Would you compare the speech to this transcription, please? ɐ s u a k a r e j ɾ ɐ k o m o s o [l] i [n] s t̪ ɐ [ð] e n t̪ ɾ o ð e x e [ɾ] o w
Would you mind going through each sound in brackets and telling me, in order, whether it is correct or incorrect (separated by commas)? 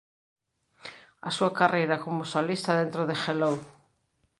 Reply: correct, incorrect, correct, incorrect